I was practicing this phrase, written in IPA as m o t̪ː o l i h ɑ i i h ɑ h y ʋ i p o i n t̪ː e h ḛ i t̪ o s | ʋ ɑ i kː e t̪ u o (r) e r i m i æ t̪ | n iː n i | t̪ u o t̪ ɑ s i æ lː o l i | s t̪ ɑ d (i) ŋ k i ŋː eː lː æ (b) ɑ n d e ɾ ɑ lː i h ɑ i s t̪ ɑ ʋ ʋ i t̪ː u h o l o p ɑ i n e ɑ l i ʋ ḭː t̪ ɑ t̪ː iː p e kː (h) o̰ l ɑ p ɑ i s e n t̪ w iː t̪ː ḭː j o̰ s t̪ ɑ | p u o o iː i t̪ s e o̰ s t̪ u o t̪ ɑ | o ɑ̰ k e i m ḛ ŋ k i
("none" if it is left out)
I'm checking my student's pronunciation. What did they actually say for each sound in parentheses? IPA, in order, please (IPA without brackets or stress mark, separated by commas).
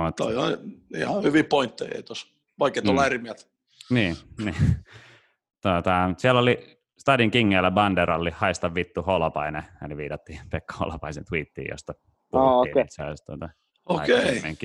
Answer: l, i, b, h